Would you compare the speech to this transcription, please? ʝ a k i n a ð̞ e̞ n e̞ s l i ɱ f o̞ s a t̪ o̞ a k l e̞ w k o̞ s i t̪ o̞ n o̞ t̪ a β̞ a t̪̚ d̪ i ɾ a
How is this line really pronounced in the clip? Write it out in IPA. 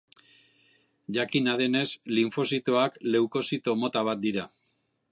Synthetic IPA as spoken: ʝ a k i n a ð̞ e̞ n e̞ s l i ɱ f o̞ s i t̪ o̞ a k l e̞ w k o̞ s i t̪ o̞ m o̞ t̪ a β̞ a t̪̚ d̪ i ɾ a

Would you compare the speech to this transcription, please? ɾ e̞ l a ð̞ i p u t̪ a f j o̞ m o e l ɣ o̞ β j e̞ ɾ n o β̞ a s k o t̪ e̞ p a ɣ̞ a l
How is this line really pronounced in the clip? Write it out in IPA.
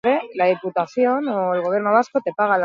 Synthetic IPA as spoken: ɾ e̞ l a ð̞ i p u t̪ a θ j o̞ n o e l ɣ o̞ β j e̞ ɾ n o β̞ a s k o t̪ e̞ p a ɣ̞ a l

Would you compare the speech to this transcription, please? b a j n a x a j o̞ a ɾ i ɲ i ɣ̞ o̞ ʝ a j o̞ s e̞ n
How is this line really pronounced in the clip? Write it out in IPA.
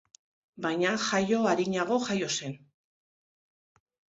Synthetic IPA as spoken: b a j ɲ a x a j o̞ a ɾ i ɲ a ɣ̞ o̞ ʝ a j o̞ s e̞ n

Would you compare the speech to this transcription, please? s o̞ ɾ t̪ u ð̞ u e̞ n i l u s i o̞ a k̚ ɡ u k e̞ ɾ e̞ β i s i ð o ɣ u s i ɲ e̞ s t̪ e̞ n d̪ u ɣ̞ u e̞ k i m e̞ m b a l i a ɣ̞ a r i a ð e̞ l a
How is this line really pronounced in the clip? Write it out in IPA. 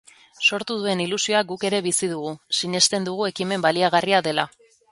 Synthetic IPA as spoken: s o̞ ɾ t̪ u ð̞ u e̞ n i l u s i o̞ a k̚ ɡ u k e̞ ɾ e̞ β i s i ð u ɣ u s i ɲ e̞ s t̪ e̞ n d̪ u ɣ̞ u e̞ k i m e̞ m b a l i a ɣ̞ a r i a ð e̞ l a

